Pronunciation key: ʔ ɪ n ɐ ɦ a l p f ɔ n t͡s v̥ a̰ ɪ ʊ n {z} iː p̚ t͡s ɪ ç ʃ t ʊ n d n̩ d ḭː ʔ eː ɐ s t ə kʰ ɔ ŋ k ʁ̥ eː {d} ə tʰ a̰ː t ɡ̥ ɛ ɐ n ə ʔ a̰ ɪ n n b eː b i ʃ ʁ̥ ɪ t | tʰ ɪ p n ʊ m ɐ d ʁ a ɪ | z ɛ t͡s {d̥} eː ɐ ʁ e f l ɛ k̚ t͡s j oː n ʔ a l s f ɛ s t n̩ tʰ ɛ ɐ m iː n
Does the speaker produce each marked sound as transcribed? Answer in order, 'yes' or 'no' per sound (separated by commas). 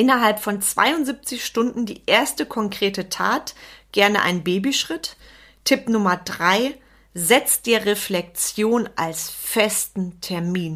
yes, no, yes